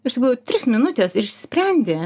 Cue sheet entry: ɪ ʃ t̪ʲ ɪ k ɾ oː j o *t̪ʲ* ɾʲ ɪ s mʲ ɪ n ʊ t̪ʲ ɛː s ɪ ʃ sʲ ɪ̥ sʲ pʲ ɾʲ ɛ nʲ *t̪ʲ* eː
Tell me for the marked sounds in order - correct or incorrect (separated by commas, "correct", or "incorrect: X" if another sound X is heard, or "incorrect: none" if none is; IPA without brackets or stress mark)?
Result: correct, incorrect: d̪ʲ